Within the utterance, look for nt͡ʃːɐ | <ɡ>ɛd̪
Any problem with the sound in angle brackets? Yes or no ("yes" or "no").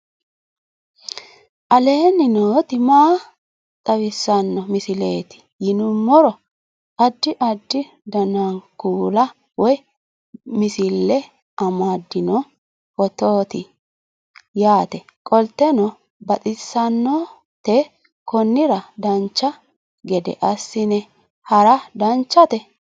no